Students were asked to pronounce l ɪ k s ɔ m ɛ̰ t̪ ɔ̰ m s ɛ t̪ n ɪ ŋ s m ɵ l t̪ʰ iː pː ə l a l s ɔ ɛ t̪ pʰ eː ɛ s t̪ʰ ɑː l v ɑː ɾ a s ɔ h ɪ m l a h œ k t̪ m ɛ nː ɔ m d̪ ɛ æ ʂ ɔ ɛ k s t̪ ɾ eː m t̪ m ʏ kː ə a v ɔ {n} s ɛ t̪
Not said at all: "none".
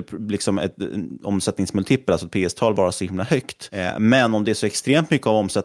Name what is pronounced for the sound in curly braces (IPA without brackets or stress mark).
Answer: m